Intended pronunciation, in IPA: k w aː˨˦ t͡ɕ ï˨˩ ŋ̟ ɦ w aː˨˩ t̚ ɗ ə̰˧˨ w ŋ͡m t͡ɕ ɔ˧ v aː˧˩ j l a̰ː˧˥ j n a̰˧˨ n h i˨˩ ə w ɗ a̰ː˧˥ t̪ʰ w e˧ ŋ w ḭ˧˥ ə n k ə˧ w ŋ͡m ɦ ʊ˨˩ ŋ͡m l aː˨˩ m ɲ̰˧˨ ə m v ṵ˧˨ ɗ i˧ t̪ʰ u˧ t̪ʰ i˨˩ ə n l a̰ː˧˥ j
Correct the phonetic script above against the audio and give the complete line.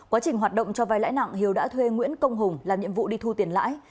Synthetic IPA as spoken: k w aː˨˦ t͡ɕ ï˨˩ ŋ̟ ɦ w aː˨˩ t̚ ɗ ə̰˧˨ w ŋ͡m t͡ɕ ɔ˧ v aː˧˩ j l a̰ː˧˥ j n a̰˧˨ ŋ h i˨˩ ə w ɗ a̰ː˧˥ t̪ʰ w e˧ ŋ w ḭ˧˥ ə n k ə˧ w ŋ͡m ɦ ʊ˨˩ ŋ͡m l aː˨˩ m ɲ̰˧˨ ə m v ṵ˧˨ ɗ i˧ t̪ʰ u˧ t̪ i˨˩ ə n l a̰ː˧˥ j

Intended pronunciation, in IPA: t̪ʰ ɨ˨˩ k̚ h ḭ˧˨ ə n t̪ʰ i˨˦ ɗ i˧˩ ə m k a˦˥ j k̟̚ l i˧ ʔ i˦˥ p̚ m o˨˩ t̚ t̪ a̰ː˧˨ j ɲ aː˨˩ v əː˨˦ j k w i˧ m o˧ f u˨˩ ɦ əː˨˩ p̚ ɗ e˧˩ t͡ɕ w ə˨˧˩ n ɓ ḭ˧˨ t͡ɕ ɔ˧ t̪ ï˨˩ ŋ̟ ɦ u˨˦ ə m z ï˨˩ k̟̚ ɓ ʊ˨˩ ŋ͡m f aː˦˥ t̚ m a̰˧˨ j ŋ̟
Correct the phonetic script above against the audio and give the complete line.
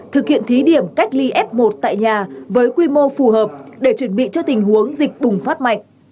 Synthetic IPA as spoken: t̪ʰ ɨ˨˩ k̚ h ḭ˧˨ ə n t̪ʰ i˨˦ ɗ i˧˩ ə m k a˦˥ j k̟̚ l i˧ ʔ ɛ˦˥ p̚ m o˨˩ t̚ t̪ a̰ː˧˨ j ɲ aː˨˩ v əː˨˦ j k w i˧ m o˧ f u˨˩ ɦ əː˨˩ p̚ ɗ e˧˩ t͡ɕ w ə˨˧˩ n ɓ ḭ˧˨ t͡ɕ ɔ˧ t̪ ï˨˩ ŋ̟ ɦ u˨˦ ə ŋ z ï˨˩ k̟̚ ɓ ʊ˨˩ ŋ͡m f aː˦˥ t̚ m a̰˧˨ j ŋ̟

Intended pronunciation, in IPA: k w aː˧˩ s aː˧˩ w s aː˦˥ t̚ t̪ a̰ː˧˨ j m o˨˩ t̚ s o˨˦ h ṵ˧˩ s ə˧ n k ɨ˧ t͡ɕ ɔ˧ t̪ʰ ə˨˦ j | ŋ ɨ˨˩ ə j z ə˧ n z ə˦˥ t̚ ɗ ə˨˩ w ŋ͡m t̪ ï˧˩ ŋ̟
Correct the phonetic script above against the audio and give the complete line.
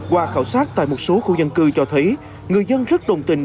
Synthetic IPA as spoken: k w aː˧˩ x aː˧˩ w s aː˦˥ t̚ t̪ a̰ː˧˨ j m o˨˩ t̚ s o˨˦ x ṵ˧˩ z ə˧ n k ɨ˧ t͡ɕ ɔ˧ t̪ʰ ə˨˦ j | ŋ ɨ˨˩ ə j z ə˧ n z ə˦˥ t̚ ɗ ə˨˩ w ŋ͡m t̪ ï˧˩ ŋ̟

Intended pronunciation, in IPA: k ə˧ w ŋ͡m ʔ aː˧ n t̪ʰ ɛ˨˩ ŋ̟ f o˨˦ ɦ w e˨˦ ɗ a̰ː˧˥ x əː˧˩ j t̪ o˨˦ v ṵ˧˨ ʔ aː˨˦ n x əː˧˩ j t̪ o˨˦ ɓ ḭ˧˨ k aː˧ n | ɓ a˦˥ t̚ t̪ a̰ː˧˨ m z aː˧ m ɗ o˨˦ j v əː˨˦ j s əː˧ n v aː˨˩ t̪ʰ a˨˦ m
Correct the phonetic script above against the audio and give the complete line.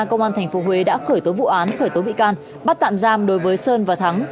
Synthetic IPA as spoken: k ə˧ w ŋ͡m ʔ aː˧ n t̪ʰ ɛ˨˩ ŋ̟ f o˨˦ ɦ w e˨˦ ɗ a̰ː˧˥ x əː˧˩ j t̪ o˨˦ v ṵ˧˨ ʔ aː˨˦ n x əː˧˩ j t̪ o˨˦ ɓ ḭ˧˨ k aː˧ n | ɓ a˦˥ t̚ t̪ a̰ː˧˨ m z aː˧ m ɗ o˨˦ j v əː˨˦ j s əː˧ n v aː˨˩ t̪ʰ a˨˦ ŋ

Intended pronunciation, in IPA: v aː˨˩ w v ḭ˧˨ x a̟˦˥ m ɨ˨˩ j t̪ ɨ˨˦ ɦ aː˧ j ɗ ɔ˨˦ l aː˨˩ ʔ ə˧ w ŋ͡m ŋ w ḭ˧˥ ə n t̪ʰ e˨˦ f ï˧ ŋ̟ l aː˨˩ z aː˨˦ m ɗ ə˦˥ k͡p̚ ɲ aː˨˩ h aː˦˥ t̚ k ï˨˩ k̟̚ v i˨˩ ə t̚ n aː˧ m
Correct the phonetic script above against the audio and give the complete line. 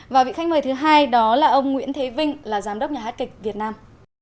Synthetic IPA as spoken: v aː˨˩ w v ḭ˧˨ x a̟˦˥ m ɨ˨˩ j t̪ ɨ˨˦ ɦ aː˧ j ɗ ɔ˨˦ l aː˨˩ ʔ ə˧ w ŋ͡m ŋ w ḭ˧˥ ə n t̪ʰ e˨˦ v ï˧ ŋ̟ l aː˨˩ z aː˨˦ m ɗ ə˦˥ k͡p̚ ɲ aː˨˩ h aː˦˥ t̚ k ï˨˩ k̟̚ v i˨˩ ə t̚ n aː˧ m

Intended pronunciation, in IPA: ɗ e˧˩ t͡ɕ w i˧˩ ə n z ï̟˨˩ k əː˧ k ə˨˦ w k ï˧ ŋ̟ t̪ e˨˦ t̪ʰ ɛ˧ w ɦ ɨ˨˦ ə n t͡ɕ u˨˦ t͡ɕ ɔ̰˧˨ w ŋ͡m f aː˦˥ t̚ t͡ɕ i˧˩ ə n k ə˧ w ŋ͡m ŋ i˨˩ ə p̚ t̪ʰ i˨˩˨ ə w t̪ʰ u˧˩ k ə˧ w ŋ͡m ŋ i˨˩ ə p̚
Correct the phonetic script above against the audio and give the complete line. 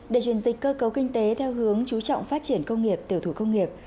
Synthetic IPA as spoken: ɗ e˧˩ t͡ɕ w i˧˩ ə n z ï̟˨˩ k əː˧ k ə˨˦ w k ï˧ ŋ̟ t̪ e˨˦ t̪ʰ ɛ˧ w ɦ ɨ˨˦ ə ŋ t͡ɕ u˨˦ t͡ɕ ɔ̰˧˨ w ŋ͡m f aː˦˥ t̚ t͡ɕ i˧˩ ə n k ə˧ w ŋ͡m ŋ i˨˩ ə p̚ t̪ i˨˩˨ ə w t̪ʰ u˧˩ k ə˧ w ŋ͡m ŋ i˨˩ ə p̚

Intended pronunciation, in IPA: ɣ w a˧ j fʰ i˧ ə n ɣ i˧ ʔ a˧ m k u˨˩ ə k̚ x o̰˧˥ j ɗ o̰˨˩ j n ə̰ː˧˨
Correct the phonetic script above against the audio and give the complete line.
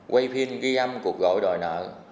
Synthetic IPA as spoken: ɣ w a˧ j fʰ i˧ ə n ɣ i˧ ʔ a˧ m k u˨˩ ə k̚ ɣ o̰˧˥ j ɗ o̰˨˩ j n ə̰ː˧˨

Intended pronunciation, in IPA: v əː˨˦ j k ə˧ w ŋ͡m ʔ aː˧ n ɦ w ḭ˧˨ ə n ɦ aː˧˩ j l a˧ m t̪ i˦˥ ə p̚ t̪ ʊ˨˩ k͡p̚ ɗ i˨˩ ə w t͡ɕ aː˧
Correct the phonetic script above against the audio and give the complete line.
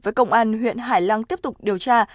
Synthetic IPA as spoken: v əː˨˦ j k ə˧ w ŋ͡m ʔ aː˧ n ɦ w ḭ˧˨ ə n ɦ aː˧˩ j l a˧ ŋ t̪ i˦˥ ə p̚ t̪ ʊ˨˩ k͡p̚ ɗ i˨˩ ə w t͡ɕ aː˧

